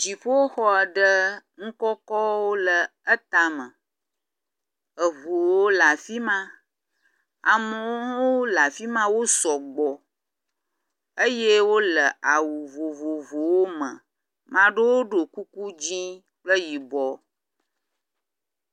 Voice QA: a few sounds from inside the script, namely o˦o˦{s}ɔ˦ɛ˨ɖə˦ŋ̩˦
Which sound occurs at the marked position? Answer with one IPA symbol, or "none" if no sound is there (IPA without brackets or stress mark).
x